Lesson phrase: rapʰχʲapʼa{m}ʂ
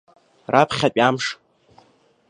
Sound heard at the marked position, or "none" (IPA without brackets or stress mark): m